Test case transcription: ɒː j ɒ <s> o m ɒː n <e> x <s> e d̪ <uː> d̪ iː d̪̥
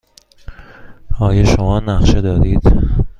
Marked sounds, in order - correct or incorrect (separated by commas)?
incorrect, incorrect, incorrect, incorrect